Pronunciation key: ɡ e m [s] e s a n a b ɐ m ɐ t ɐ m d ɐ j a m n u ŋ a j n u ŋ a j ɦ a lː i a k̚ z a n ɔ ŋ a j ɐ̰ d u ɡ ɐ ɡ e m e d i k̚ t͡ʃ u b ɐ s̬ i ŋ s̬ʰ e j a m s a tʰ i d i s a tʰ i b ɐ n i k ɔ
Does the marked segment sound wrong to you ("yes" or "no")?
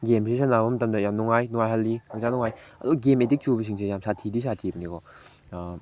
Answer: no